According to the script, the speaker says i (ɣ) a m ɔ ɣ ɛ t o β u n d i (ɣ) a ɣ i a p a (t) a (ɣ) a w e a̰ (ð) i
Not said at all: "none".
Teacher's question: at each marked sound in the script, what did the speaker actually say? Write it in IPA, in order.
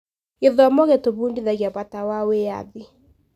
ð, ð, t, w, ð

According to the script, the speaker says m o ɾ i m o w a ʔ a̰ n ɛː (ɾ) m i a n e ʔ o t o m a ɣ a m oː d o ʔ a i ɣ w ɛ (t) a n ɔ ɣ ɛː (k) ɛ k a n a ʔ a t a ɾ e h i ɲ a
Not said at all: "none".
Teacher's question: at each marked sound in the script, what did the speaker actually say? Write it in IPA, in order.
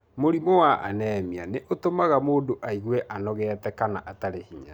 none, ʔ, t

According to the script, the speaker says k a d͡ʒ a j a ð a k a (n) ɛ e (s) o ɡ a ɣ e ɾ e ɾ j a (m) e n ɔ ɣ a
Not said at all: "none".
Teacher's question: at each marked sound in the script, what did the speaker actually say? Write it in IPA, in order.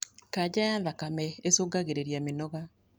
m, s, m

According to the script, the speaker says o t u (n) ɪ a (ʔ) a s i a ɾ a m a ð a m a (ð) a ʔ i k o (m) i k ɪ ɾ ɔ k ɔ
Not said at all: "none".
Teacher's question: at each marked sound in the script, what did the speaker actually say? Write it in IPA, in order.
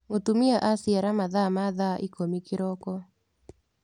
m, ʔ, ð, m

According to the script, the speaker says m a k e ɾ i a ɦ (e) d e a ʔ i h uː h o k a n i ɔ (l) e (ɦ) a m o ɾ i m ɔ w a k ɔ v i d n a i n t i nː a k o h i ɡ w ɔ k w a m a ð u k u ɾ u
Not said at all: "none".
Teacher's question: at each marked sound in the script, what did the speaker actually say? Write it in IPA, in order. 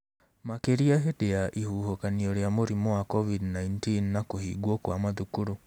e, ɾ, none

